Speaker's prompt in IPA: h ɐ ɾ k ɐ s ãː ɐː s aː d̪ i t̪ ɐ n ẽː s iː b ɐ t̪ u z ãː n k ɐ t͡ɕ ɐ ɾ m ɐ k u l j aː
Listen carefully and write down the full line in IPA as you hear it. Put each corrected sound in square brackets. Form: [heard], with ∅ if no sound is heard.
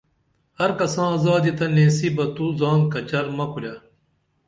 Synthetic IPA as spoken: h ɐ ɾ k ɐ s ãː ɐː [z] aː d̪ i t̪ ɐ n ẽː s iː b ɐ t̪ u z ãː n k ɐ t͡ɕ ɐ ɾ m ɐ k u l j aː